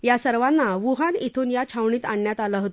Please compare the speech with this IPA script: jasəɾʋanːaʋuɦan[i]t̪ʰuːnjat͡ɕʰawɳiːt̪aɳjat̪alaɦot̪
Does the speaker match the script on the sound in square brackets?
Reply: yes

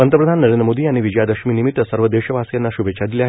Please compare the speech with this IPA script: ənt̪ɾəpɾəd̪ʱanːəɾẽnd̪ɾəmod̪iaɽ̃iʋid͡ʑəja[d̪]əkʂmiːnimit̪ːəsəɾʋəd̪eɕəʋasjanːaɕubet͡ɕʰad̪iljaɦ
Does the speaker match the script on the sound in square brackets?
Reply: yes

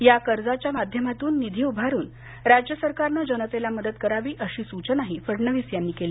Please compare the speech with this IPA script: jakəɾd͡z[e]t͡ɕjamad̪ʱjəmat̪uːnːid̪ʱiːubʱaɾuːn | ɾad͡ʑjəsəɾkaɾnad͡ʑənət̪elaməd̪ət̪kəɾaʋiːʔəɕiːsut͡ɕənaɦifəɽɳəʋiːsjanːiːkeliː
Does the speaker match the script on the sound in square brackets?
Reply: no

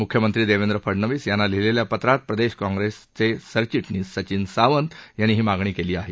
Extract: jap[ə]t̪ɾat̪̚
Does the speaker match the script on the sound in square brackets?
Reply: yes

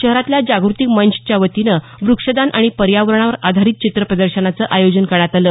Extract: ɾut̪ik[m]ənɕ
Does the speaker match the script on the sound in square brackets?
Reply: yes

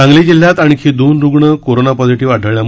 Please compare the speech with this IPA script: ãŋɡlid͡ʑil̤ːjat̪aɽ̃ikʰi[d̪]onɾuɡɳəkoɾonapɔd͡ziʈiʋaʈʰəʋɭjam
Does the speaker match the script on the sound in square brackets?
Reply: yes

